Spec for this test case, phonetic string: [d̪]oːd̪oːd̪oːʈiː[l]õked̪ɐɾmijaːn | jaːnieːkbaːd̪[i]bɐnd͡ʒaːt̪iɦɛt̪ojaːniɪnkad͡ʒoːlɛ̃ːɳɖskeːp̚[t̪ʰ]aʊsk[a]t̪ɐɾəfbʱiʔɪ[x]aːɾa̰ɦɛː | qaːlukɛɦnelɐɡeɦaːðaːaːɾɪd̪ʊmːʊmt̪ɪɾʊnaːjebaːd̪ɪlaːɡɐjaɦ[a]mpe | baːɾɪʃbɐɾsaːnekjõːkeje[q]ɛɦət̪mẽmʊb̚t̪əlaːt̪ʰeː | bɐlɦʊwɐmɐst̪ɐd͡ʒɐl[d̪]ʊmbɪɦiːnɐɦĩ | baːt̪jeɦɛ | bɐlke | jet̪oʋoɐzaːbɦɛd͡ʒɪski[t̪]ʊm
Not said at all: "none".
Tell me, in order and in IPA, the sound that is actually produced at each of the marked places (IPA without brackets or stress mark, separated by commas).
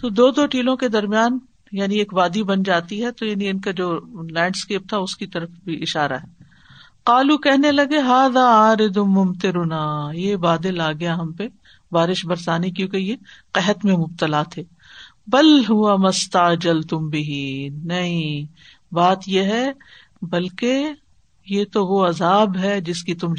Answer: t̪, l, i, t̪ʰ, i, ʃ, ɐ, q, t̪, t̪